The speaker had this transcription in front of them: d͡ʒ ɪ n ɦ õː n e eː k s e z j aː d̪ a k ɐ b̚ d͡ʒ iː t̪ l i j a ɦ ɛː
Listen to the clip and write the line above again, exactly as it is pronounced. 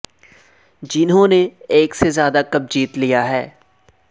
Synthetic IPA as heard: d͡ʒ ɪ n ɦ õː n e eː k s e z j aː d̪ a k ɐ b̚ d͡ʒ iː t̪ l i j a ɦ ɛː